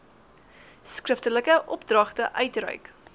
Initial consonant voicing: voiceless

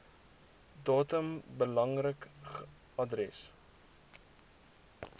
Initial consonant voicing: voiced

